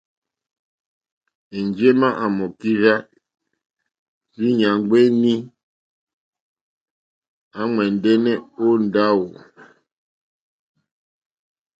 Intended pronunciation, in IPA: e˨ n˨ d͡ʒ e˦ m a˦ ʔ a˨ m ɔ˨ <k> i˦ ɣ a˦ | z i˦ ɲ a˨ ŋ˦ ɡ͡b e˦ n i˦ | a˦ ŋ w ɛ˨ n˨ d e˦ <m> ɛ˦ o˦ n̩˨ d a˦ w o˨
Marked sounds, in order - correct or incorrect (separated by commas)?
correct, incorrect